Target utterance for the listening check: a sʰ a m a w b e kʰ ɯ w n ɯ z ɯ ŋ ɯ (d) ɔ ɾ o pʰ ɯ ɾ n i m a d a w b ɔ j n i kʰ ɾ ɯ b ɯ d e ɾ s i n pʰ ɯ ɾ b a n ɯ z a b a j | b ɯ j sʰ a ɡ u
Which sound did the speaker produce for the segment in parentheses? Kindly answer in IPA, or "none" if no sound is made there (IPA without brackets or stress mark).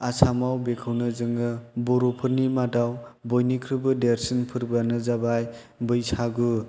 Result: b